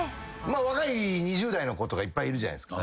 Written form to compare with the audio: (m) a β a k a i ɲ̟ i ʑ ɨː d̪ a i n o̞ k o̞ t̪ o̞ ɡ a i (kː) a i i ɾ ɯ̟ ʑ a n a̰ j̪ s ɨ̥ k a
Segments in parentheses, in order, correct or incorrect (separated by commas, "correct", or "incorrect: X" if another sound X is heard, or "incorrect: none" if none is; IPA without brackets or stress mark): correct, incorrect: pː